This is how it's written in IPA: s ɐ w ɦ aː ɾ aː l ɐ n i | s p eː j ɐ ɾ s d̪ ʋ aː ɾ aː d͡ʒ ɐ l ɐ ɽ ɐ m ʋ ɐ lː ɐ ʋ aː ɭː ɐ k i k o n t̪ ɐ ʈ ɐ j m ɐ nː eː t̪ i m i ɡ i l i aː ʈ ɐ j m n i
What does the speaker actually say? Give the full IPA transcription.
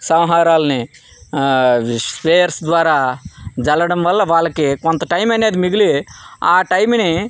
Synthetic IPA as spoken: s ɐ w ɦ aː ɾ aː l ɐ n i | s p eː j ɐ ɾ s d̪ ʋ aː ɾ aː d͡ʒ ɐ l ɐ ɽ ɐ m ʋ ɐ lː ɐ ʋ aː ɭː ɐ k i k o n t̪ ɐ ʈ ɐ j m ɐ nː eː d̪ i m i ɡ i l i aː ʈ ɐ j m n i